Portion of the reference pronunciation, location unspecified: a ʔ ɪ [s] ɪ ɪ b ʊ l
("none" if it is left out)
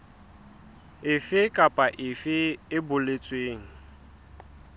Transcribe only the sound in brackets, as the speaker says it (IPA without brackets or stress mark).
f